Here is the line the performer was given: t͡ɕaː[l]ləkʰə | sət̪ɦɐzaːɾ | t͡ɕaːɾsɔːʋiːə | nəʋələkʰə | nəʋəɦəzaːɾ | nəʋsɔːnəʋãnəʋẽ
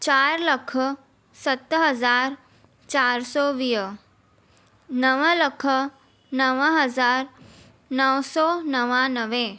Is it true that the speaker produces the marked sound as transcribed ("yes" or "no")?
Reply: no